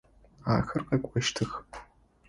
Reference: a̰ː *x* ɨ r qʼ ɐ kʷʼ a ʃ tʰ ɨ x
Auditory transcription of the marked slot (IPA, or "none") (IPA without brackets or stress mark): x